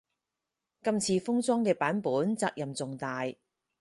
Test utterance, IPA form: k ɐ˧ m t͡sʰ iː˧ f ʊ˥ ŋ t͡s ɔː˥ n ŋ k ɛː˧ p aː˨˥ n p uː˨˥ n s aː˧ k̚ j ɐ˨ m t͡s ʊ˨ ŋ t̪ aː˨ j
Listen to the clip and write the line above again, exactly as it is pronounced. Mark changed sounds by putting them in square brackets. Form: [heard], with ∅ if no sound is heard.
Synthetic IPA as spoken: k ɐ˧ m t͡sʰ iː˧ f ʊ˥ ŋ t͡s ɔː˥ [∅] ŋ k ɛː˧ p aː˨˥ n p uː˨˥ n [t͡s] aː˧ k̚ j ɐ˨ m t͡s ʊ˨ ŋ t̪ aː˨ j